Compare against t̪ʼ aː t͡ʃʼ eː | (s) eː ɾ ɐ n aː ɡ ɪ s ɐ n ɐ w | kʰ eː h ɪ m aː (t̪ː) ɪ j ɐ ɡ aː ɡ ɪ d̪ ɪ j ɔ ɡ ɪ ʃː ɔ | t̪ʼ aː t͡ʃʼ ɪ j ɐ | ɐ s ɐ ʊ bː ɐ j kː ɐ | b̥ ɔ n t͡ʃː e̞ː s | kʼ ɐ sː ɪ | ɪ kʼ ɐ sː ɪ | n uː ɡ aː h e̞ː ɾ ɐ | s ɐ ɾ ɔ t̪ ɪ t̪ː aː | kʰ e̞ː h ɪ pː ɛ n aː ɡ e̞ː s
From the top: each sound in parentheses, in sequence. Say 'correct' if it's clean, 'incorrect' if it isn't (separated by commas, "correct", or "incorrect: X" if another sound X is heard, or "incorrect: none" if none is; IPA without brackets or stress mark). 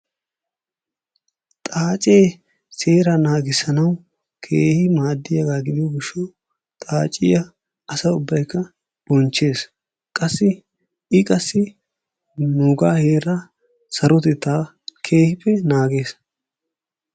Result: correct, incorrect: d̪ː